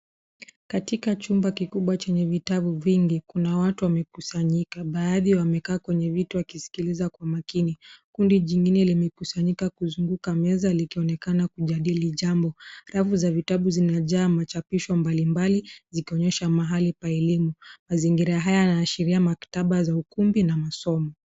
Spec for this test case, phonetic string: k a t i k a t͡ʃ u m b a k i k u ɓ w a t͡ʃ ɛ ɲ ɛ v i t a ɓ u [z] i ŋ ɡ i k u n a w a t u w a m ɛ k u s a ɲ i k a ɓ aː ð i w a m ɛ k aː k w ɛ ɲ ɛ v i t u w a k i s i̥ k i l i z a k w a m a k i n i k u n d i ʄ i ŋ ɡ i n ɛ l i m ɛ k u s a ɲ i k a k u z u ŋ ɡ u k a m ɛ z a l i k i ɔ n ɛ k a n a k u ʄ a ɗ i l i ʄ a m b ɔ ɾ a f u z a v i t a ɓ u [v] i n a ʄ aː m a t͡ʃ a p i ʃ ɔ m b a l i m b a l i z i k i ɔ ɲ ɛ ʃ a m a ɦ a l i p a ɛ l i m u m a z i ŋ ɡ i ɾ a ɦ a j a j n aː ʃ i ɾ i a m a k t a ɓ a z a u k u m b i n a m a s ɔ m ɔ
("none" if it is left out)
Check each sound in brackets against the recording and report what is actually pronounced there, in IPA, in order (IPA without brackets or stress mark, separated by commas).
v, z